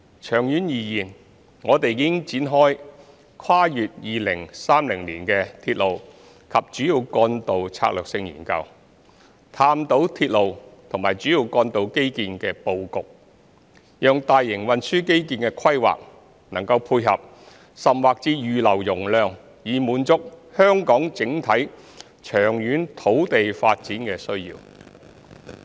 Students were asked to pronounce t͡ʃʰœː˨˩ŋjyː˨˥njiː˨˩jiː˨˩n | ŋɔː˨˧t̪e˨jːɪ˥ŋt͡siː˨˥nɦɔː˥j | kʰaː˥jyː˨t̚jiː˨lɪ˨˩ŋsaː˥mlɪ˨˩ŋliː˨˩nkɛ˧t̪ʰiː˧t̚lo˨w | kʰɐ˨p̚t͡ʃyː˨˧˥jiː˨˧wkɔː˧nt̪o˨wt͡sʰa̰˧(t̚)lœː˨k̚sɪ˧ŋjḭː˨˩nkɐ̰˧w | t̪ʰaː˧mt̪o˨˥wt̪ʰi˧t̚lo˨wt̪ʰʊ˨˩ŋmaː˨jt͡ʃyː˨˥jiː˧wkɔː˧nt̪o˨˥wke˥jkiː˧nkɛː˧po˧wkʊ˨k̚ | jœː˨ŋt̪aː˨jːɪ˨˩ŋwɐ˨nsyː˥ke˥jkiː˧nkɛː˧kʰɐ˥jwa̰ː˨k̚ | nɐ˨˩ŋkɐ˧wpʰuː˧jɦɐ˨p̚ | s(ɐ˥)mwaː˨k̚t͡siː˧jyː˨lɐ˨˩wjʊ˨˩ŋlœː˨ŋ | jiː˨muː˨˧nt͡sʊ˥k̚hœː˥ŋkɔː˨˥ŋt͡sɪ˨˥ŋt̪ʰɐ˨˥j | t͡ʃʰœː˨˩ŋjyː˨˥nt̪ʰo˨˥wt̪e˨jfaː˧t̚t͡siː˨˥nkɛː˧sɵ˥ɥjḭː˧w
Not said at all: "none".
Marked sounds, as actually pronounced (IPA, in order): k̚, ɐ˨

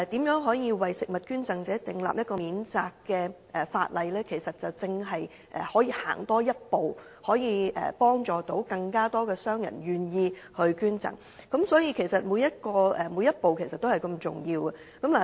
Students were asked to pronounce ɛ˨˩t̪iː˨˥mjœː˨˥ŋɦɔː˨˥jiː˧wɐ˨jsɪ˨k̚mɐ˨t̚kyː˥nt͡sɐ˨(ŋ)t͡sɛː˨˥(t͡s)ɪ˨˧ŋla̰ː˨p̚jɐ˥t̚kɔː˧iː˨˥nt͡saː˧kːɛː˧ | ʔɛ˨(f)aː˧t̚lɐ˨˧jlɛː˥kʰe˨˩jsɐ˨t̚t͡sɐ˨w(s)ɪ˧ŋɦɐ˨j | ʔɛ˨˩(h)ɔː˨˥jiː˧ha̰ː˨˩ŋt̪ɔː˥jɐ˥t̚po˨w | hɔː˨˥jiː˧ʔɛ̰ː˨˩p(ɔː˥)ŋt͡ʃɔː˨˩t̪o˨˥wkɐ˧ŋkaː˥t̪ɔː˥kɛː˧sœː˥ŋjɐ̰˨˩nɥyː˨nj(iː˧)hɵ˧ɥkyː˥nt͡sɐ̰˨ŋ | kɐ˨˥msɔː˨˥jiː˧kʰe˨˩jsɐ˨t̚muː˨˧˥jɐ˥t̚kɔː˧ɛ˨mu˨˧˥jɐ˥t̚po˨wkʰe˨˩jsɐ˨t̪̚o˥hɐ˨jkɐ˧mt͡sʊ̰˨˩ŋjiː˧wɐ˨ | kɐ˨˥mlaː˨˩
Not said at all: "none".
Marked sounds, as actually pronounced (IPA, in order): ŋ, t͡s, f, t͡s, h, ɔː˥, iː˧

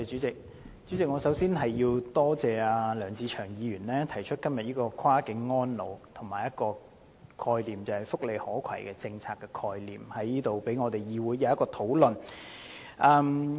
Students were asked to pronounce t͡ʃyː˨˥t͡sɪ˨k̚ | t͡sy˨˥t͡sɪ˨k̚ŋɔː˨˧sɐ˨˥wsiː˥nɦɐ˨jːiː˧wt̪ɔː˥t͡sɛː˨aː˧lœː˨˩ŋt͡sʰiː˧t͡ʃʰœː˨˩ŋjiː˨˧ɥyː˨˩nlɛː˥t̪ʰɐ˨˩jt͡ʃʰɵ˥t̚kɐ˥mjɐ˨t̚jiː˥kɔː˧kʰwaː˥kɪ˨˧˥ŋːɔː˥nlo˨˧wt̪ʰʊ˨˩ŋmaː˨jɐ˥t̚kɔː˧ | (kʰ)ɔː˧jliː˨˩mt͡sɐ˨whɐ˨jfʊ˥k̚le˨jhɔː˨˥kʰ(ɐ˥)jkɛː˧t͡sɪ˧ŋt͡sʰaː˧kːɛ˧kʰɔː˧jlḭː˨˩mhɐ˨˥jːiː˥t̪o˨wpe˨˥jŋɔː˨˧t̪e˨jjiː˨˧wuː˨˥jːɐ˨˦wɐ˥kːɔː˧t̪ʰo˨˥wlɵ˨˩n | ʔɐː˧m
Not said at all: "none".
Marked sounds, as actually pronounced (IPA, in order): kʰ, ɐ˨˩

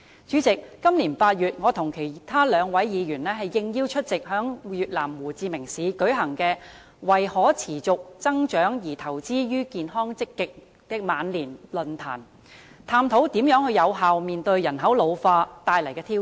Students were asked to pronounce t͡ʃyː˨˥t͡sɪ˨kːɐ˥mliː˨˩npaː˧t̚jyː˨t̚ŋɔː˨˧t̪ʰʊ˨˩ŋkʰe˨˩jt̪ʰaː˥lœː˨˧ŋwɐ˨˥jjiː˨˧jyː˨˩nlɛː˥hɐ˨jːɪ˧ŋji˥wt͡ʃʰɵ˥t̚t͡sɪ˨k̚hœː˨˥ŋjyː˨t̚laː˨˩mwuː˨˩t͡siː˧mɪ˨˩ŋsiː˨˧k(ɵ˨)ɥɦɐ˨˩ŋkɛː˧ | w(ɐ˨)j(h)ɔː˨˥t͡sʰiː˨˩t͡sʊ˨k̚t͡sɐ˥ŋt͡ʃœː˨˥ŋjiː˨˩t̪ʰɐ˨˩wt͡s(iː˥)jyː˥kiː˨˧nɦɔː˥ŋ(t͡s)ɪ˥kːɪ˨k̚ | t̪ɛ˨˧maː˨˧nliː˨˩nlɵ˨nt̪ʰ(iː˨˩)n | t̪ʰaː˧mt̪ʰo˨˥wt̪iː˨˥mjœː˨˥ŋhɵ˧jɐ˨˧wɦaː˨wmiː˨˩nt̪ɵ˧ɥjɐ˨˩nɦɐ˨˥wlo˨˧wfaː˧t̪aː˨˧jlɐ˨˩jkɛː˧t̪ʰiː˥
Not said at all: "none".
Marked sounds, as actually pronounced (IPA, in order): ɵ˨˥, ɐ˨, h, iː˥, t͡s, aː˨˩

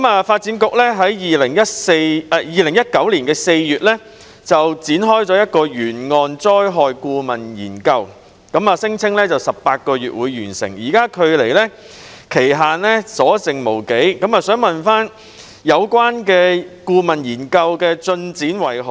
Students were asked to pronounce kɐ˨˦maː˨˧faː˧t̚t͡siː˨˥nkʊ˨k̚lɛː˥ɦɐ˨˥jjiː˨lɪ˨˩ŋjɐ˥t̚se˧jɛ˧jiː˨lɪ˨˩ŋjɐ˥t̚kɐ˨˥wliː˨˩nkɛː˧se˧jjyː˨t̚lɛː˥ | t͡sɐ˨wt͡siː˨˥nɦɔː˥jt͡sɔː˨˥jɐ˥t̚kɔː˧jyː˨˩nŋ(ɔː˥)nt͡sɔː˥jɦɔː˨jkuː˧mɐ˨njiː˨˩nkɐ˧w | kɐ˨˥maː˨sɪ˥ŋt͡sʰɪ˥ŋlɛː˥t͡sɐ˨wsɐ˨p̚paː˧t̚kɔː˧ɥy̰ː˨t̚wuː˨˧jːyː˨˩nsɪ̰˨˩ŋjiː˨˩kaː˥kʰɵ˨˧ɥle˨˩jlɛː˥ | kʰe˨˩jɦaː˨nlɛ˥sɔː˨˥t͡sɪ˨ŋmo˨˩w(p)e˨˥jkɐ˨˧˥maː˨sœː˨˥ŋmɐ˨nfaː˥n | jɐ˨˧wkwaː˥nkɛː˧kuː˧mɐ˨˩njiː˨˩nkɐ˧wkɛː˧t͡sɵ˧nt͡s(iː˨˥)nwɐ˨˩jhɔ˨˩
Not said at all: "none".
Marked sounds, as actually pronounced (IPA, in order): ɔː˧, k, iː˨˥

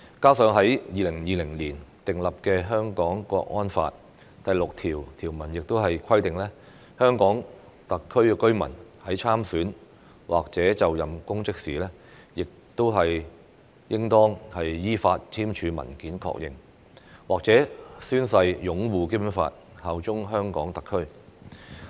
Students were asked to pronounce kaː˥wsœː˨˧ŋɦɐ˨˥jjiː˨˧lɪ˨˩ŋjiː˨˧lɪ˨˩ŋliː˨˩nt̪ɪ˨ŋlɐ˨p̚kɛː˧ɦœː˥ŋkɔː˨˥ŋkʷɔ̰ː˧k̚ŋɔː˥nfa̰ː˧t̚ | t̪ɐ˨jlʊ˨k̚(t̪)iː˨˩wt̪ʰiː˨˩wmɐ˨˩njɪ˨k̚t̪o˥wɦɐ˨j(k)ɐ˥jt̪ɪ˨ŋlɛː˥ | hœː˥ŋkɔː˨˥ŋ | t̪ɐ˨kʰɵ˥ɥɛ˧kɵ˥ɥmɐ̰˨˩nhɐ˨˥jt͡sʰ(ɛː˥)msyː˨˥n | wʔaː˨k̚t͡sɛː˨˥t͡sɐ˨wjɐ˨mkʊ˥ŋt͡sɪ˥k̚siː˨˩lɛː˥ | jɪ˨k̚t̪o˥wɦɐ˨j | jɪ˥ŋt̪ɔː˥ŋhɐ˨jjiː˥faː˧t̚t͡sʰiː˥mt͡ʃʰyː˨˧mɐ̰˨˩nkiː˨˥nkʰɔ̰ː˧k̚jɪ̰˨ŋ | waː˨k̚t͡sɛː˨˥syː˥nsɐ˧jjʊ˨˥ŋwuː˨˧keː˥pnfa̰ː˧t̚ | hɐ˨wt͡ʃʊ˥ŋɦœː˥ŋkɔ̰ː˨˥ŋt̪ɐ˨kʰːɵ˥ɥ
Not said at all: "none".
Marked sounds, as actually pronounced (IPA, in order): t̪ʰ, kʰ, aː˥

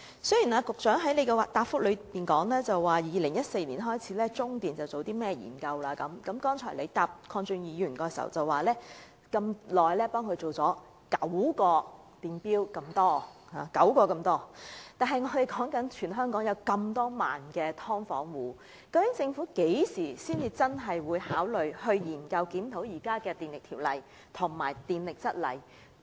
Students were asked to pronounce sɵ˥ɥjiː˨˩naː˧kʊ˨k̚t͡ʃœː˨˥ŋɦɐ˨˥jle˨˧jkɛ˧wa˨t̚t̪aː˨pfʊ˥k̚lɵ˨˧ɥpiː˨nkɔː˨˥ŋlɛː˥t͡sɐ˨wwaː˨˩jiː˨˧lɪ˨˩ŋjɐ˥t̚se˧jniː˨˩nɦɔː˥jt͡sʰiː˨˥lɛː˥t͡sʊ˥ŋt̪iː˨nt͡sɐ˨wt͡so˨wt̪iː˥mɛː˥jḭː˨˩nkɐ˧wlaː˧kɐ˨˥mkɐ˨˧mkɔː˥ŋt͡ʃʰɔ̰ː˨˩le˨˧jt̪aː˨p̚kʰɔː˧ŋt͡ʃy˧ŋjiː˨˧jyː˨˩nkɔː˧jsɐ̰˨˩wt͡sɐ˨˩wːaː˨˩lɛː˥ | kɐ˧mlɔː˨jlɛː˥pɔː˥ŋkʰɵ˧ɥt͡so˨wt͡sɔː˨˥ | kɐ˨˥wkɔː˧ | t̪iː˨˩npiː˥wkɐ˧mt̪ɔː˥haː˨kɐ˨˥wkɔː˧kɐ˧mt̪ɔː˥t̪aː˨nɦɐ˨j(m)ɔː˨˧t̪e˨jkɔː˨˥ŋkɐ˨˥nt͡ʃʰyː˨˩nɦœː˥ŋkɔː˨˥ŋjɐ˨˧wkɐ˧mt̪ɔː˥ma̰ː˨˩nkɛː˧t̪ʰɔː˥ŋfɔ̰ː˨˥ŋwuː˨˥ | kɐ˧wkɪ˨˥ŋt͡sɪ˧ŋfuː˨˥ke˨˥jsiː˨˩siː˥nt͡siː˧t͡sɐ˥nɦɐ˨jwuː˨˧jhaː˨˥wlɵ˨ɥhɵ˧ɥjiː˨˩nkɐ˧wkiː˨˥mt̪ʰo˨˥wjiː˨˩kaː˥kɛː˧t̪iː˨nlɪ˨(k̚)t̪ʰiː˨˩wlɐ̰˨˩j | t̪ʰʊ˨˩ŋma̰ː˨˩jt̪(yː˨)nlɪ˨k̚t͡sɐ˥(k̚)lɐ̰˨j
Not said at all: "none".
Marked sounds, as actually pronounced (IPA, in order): ŋ, k̚, iː˨, t̚

